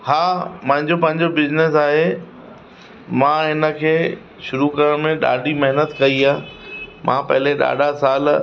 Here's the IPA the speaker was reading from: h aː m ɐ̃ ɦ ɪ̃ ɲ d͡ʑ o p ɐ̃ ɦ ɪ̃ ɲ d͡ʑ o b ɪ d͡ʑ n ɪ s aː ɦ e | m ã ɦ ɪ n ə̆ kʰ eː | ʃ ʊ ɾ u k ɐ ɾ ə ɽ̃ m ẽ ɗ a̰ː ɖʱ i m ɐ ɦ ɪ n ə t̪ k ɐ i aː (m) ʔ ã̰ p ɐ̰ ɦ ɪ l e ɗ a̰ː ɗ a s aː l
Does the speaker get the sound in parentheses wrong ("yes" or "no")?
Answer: no